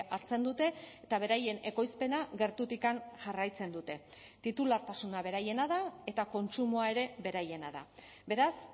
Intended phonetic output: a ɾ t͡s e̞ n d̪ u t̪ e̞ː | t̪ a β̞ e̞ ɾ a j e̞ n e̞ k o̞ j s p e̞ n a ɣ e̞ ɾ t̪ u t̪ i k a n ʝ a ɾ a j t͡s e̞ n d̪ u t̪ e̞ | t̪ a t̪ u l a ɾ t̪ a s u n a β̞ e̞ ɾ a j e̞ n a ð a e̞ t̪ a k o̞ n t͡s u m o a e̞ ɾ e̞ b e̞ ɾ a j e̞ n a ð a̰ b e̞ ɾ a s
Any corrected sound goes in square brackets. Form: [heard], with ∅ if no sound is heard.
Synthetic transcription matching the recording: a ɾ t͡s e̞ n d̪ u t̪ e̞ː | t̪ a β̞ e̞ ɾ a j e̞ n e̞ k o̞ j s p e̞ n a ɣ e̞ ɾ t̪ u t̪ i k a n ʝ a [r] a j t͡s e̞ n d̪ u t̪ e̞ | t̪ [i] t̪ u l a ɾ t̪ a s u n a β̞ e̞ ɾ a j e̞ n a ð a e̞ t̪ a k o̞ n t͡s u m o a e̞ ɾ e̞ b e̞ ɾ a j e̞ n a ð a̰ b e̞ ɾ a s

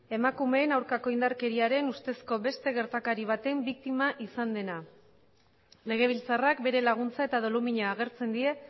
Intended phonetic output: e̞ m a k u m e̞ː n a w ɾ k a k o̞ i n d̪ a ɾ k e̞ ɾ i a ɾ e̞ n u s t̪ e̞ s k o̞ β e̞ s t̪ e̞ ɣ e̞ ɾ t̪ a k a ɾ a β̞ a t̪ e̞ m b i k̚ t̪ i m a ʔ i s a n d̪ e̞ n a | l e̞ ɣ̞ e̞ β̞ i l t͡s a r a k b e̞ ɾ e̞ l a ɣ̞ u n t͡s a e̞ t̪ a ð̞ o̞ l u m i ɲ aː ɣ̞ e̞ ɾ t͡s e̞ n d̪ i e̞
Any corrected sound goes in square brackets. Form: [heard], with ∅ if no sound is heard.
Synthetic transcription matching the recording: e̞ m a k u m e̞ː n a w ɾ k a k o̞ i n d̪ a ɾ k e̞ ɾ i a ɾ e̞ n u s t̪ e̞ s k o̞ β e̞ s t̪ e̞ ɣ e̞ ɾ t̪ a k a ɾ [i] β̞ a t̪ e̞ m b i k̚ t̪ i m a ʔ i s a n d̪ e̞ n a | l e̞ ɣ̞ e̞ β̞ i l t͡s a r a k b e̞ ɾ e̞ l a ɣ̞ u n t͡s a e̞ t̪ a ð̞ o̞ l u m i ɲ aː ɣ̞ e̞ ɾ t͡s e̞ n d̪ i e̞

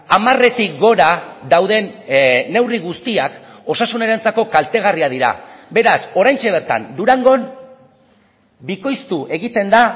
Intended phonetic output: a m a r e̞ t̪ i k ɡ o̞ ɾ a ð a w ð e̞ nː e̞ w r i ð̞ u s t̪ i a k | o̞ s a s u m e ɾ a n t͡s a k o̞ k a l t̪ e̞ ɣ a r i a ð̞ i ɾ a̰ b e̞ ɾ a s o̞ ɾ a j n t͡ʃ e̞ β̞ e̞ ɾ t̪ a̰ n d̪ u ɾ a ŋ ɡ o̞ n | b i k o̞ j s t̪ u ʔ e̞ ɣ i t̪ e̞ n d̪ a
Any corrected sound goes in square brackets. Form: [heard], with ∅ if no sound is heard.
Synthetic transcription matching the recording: a m a r e̞ t̪ i k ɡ o̞ ɾ a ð a w ð e̞ nː e̞ w r i [ɣ̞] u s t̪ i a k | o̞ s a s u [n] e ɾ a n t͡s a k o̞ k a l t̪ e̞ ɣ a r i a ð̞ i ɾ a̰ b e̞ ɾ a s o̞ ɾ a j n t͡ʃ e̞ β̞ e̞ ɾ t̪ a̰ n d̪ u ɾ a ŋ ɡ o̞ n | b i k o̞ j s t̪ u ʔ e̞ ɣ i t̪ e̞ n d̪ a

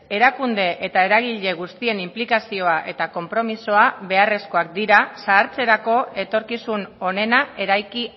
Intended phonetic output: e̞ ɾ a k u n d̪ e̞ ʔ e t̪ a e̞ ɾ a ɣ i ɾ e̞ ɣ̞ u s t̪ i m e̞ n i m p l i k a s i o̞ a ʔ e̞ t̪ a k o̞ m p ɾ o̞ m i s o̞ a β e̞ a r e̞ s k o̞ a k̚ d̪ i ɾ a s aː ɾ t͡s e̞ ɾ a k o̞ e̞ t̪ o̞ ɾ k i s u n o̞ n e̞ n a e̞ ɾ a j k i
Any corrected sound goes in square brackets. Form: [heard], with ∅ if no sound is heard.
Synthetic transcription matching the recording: e̞ ɾ a k u n d̪ e̞ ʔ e t̪ a e̞ ɾ a ɣ i [ʎ] e̞ ɣ̞ u s t̪ i [∅] e̞ n i m p l i k a s i o̞ a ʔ e̞ t̪ a k o̞ m p ɾ o̞ m i s o̞ a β e̞ a r e̞ s k o̞ a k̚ d̪ i ɾ a s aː ɾ t͡s e̞ ɾ a k o̞ e̞ t̪ o̞ ɾ k i s u n o̞ n e̞ n a e̞ ɾ a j k i

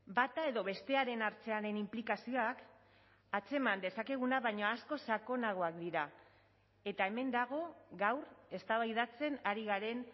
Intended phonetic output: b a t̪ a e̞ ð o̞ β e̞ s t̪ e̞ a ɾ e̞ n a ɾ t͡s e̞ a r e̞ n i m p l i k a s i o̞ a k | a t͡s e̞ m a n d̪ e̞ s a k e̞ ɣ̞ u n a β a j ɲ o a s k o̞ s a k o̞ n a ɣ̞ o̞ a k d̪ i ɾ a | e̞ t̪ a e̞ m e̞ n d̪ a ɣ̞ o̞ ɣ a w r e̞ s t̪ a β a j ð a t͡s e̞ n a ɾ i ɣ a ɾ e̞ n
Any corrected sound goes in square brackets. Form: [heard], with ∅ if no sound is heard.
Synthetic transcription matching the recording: b a t̪ a e̞ ð o̞ β e̞ s t̪ e̞ a ɾ e̞ n a ɾ t͡s e̞ a [ɾ] e̞ n i m p l i k a s i o̞ a k | a t͡s e̞ m a n d̪ e̞ s a k e̞ ɣ̞ u n a β a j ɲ o a s k o̞ s a k o̞ n a ɣ̞ o̞ a k d̪ i ɾ a | e̞ t̪ a e̞ m e̞ n d̪ a ɣ̞ o̞ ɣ a w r e̞ s t̪ a β a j ð a t͡s e̞ n a ɾ i ɣ a ɾ e̞ n

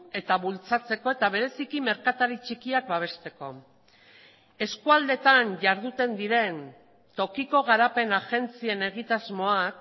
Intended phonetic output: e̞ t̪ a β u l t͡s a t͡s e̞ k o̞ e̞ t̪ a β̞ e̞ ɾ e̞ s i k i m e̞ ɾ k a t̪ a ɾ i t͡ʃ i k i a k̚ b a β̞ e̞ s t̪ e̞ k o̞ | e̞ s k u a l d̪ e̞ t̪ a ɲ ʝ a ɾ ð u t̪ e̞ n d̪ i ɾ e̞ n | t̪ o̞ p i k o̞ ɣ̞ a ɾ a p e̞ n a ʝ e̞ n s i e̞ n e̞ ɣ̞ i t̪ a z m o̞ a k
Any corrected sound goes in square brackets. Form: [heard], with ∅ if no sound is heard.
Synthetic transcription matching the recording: e̞ t̪ a β u l t͡s a t͡s e̞ k o̞ e̞ t̪ a β̞ e̞ ɾ e̞ s i k i m e̞ ɾ k a t̪ a ɾ i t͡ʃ i k i a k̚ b a β̞ e̞ s t̪ e̞ k o̞ | e̞ s k u a l d̪ e̞ t̪ a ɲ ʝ a ɾ ð u t̪ e̞ n d̪ i ɾ e̞ n | t̪ o̞ [k] i k o̞ ɣ̞ a ɾ a p e̞ n a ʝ e̞ n [t͡s] i e̞ n e̞ ɣ̞ i t̪ a z m o̞ a k

